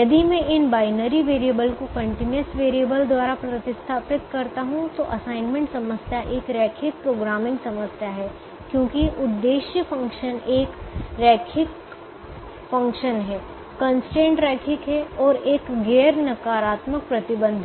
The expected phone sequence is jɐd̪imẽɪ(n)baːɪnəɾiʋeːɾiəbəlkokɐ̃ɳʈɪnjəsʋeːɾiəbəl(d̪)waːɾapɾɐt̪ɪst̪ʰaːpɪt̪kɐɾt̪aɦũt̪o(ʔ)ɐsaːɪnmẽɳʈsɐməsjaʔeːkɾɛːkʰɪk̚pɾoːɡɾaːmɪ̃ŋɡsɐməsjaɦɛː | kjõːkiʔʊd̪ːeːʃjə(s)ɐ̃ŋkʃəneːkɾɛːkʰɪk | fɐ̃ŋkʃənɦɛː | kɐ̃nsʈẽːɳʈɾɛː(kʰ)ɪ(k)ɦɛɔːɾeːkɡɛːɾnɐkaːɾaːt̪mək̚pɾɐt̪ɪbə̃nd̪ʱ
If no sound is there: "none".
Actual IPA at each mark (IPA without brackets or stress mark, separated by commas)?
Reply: n, d̪, ʔ, f, kʰ, k